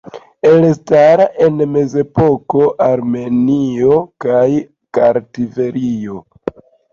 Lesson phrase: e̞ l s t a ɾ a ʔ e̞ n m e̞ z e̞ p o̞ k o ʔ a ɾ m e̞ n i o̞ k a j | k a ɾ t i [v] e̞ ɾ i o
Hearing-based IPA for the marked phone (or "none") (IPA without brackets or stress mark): v